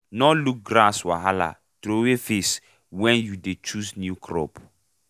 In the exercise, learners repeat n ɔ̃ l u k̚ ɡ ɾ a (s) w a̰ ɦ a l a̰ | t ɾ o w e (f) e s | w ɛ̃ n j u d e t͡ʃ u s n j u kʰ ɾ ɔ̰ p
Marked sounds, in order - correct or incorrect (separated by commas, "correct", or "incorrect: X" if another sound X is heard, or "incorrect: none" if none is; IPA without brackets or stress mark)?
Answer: correct, correct